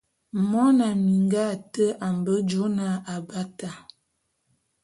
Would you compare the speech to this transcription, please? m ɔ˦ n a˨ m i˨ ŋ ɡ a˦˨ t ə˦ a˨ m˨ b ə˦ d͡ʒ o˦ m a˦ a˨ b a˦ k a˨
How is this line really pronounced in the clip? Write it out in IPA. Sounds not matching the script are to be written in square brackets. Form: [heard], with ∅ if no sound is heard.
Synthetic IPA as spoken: m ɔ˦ n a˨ m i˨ ŋ ɡ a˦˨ t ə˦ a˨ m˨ b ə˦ d͡ʒ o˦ [n] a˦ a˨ b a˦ [t] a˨